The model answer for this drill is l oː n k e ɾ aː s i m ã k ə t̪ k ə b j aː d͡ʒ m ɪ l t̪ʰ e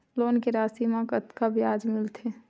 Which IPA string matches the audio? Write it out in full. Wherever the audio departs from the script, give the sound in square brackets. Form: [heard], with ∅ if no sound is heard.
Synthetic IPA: l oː n k e ɾ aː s i m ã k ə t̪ k [a] b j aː d͡ʒ m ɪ l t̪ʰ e

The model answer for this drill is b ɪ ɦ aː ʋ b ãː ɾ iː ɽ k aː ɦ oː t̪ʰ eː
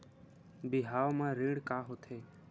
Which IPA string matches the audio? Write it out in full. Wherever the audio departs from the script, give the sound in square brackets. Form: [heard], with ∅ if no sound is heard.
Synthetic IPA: b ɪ ɦ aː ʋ [m] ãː ɾ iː ɽ k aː ɦ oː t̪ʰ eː

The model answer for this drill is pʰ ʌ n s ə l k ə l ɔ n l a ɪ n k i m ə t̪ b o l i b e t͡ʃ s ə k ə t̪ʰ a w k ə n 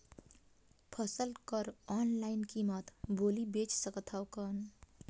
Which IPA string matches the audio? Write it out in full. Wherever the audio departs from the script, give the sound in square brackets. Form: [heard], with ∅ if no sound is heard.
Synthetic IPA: pʰ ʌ [∅] s ə l k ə [ɾ] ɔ n l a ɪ n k i m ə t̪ b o l i b e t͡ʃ s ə k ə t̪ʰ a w k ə n

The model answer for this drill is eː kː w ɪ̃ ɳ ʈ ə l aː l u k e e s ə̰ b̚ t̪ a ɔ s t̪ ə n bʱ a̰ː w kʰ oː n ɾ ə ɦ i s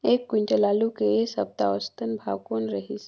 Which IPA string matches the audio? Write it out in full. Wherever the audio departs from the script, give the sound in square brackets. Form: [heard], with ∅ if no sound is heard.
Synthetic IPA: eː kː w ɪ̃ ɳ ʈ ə l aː l u k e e s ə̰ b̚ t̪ a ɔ s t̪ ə n bʱ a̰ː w [k] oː n ɾ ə ɦ i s

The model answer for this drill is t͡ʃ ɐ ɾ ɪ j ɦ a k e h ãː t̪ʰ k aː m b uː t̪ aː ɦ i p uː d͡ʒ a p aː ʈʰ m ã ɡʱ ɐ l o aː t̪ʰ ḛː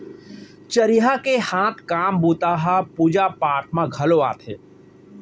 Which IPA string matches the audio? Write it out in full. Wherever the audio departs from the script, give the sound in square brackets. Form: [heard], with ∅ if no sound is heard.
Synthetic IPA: t͡ʃ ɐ ɾ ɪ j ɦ a k e h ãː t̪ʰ k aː m b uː t̪ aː ɦ [a] p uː d͡ʒ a p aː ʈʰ m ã ɡʱ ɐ l o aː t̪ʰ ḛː

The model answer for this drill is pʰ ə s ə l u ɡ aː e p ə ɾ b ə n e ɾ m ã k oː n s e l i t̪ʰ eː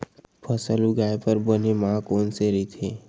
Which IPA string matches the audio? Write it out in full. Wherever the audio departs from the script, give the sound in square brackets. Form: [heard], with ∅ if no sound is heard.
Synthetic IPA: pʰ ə s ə l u ɡ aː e p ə ɾ b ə n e [∅] m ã k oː n s e [ɾ] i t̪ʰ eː

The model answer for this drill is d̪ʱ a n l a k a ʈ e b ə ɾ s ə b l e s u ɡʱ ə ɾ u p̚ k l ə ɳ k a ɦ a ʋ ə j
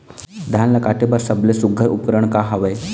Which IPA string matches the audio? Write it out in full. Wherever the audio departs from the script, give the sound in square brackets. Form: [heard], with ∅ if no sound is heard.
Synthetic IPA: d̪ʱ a n l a k a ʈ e b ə ɾ s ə b l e s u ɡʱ ə ɾ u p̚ k [ɾ] ə ɳ k a ɦ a ʋ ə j

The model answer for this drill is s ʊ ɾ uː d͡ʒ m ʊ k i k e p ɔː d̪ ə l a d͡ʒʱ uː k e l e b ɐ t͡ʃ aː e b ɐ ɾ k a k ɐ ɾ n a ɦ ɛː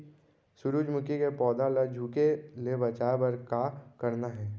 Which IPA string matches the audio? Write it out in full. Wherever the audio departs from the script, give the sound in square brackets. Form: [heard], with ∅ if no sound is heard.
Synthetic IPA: s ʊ ɾ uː d͡ʒ m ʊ k i k e p ɔː d̪ [a] l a d͡ʒʱ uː k e l e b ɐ t͡ʃ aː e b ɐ ɾ k a k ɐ ɾ n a ɦ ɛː

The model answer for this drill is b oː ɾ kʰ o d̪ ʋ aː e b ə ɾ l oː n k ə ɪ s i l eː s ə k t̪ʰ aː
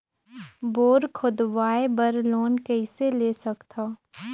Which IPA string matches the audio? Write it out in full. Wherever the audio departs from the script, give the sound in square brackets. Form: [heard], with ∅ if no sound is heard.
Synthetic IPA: b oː ɾ kʰ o d̪ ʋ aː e b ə ɾ l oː n k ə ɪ s [e] l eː s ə k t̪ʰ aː

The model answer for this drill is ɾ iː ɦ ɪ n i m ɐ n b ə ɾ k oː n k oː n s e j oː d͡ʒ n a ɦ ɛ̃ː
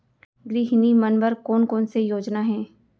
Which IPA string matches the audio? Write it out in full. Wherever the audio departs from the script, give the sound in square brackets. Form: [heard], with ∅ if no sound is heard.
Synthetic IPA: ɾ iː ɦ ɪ n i m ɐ n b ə ɾ k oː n k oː n s e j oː d͡ʒ n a ɦ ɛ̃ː

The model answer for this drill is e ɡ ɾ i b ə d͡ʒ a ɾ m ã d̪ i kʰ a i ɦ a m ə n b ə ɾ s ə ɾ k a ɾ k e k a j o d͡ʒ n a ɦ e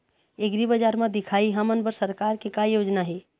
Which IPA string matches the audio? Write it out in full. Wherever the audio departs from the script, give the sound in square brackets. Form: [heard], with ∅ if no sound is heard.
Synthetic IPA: e ɡ ɾ i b ə d͡ʒ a ɾ m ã d̪ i kʰ a i ɦ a m ə n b ə ɾ s ə ɾ k a ɾ k e k a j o d͡ʒ n a ɦ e

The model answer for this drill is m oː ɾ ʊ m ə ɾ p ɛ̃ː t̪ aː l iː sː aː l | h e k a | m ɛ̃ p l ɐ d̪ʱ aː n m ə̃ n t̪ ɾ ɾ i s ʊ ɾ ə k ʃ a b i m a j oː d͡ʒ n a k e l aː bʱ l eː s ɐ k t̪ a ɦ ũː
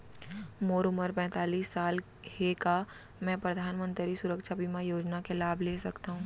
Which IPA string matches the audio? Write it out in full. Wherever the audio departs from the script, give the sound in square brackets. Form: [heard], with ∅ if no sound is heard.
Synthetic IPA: m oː ɾ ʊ m ə ɾ p ɛ̃ː t̪ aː l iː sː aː l | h e k a | m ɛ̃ p [ɾ] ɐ d̪ʱ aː n m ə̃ n t̪ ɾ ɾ i s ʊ ɾ ə k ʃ a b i m a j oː d͡ʒ n a k e l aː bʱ l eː s ɐ k t̪ a ɦ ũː

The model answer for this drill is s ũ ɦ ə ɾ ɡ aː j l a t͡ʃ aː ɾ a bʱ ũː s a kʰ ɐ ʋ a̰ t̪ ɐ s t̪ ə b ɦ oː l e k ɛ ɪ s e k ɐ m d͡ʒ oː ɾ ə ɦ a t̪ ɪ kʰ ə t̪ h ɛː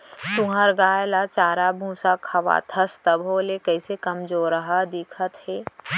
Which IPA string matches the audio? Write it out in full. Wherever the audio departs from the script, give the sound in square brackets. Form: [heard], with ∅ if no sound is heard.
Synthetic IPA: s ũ ɦ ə ɾ ɡ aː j l a t͡ʃ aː ɾ a bʱ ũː s a kʰ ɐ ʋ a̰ [t̪ʰ] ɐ s t̪ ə b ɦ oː l e k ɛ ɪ s e k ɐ m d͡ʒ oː ɾ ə ɦ a [d̪] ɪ kʰ ə t̪ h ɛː

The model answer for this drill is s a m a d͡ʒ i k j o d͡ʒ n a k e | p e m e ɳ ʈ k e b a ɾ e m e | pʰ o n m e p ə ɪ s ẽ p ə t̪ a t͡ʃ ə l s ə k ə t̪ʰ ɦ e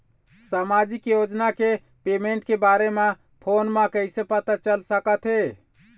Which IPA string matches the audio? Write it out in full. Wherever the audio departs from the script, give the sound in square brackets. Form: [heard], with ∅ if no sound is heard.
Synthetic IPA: s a m a d͡ʒ i k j o d͡ʒ n a k e | p e m e ɳ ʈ k e b a ɾ e m e | pʰ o n m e [k] ə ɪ s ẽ p ə t̪ a t͡ʃ ə l s ə k ə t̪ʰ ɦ e

